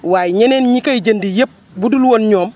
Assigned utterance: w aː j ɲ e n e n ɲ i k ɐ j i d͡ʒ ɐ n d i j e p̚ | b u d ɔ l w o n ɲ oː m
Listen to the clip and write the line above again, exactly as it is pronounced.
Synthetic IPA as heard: w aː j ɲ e n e n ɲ i k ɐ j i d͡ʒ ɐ n d i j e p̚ | b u d u l w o n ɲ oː m